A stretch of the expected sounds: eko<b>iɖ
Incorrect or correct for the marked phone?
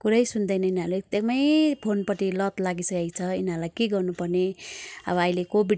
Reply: correct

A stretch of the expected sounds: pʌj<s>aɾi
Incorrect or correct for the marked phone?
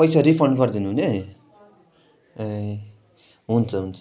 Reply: correct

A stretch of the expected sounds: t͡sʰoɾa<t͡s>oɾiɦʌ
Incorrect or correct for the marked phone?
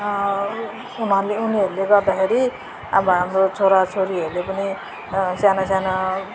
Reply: incorrect: t͡sʰ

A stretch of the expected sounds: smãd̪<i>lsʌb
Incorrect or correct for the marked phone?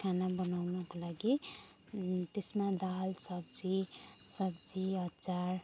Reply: incorrect: a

